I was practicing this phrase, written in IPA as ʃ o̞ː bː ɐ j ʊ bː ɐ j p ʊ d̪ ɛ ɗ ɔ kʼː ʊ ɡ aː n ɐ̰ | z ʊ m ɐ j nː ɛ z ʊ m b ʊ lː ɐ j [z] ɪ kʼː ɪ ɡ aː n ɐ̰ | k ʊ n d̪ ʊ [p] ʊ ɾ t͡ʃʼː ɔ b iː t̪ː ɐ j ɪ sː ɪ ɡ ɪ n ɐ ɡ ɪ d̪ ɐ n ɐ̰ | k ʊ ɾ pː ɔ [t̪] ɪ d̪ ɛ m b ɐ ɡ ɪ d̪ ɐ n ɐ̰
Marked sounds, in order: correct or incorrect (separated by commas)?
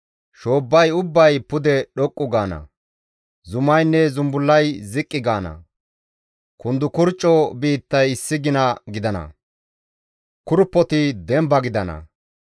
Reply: correct, incorrect, correct